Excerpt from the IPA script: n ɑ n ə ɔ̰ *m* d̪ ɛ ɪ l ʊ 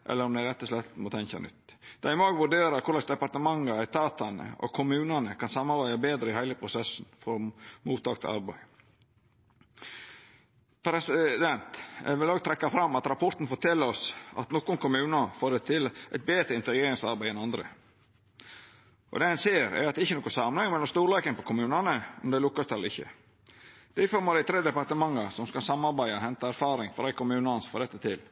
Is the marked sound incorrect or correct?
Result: correct